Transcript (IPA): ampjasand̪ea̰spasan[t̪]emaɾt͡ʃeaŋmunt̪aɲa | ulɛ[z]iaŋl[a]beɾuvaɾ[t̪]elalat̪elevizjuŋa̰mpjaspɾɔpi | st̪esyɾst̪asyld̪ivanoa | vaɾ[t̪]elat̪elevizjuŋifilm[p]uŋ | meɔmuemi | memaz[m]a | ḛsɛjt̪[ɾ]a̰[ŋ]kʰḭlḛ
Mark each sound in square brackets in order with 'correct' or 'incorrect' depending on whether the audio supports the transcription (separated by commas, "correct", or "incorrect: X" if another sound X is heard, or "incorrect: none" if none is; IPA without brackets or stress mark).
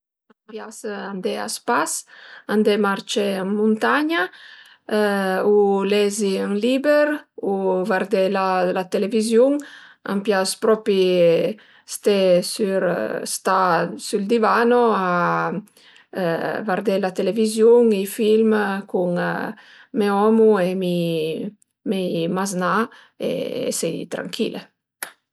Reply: incorrect: d̪, correct, incorrect: i, incorrect: d̪, incorrect: d̪, incorrect: k, incorrect: n, correct, correct